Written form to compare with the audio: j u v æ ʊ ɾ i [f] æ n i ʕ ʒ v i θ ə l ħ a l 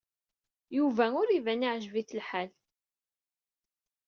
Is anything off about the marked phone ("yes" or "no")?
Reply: yes